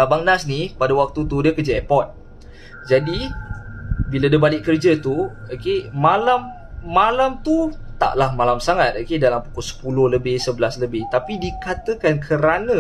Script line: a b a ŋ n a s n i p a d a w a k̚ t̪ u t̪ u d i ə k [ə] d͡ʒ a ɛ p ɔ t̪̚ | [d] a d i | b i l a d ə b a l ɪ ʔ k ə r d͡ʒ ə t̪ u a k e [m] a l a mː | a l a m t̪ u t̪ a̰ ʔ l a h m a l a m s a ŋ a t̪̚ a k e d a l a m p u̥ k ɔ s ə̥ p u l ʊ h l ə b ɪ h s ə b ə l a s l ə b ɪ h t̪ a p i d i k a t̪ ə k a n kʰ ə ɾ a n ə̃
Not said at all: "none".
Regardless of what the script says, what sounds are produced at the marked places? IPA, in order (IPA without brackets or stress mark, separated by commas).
ə, d͡ʒ, m